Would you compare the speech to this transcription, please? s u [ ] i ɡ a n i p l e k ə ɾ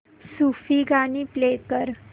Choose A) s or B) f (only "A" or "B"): B